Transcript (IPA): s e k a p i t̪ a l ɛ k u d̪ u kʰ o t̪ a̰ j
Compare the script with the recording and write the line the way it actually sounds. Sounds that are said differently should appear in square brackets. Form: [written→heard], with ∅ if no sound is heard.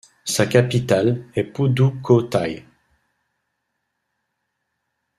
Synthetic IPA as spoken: s [e→a] k a p i t̪ a l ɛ [k→p] u d̪ u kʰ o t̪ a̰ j